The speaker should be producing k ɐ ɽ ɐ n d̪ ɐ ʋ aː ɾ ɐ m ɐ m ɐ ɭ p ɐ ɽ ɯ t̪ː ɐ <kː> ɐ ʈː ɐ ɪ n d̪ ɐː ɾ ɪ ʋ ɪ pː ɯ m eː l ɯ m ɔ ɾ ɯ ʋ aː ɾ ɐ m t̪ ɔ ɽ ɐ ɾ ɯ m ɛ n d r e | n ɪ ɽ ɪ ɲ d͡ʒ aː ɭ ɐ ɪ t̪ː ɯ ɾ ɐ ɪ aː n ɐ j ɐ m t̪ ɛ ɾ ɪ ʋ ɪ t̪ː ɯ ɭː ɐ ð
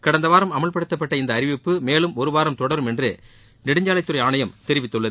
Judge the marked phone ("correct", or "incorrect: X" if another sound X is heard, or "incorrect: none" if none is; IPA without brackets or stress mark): incorrect: pː